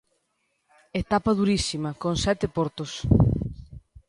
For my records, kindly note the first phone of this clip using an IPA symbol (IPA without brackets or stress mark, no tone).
e